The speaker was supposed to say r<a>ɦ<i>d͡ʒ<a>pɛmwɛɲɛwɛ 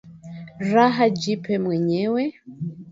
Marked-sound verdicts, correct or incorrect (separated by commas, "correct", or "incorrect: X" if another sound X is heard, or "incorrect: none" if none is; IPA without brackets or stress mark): correct, incorrect: a, incorrect: i